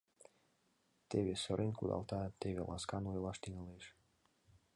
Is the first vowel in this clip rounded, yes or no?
no